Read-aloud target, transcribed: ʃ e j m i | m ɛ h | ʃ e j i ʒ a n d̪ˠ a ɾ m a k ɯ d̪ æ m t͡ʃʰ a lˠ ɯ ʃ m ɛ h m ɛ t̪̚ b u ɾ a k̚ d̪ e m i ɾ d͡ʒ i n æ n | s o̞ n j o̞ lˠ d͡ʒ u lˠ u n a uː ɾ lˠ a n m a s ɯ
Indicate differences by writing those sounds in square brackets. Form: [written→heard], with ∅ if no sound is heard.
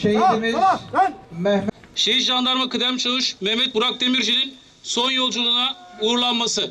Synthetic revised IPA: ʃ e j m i | m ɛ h | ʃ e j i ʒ a n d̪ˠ a ɾ m a k ɯ d̪ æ m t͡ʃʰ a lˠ ɯ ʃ m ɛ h m ɛ t̪̚ b u ɾ a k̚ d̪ e m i ɾ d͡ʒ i n [æ→i] n | s o̞ n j o̞ lˠ d͡ʒ u lˠ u n a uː ɾ lˠ a n m a s ɯ